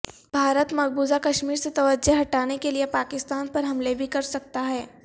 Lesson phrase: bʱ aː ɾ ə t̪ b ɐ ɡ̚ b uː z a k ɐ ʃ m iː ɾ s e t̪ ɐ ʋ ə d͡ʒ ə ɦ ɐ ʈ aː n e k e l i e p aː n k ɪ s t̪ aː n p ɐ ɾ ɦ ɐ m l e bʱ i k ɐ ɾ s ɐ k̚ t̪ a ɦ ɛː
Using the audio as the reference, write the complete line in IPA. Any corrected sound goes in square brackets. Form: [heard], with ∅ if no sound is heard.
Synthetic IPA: bʱ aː ɾ ə t̪ [m] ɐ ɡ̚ b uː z a k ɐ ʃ m iː ɾ s e t̪ ɐ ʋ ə d͡ʒ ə ɦ ɐ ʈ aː n e k e l i e p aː [∅] k ɪ s t̪ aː n p ɐ ɾ ɦ ɐ m l e bʱ i k ɐ ɾ s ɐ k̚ t̪ a ɦ ɛː